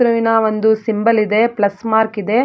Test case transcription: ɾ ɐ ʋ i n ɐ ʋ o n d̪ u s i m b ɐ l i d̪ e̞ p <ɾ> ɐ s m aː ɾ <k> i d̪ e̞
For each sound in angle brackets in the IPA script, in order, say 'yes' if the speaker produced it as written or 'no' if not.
no, yes

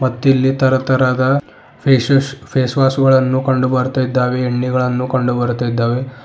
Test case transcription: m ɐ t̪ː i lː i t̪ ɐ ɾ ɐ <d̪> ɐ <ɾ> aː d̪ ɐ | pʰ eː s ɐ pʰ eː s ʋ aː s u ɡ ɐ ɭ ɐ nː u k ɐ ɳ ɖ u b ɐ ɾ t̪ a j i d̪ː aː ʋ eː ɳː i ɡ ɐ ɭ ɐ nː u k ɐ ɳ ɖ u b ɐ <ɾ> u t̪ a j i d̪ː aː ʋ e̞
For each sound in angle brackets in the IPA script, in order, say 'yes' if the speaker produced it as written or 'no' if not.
no, yes, yes

